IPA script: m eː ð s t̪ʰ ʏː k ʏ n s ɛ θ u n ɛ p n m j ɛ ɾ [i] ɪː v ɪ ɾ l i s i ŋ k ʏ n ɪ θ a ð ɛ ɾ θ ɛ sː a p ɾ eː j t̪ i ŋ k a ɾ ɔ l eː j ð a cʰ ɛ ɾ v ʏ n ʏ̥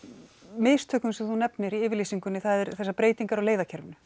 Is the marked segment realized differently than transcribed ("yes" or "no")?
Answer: no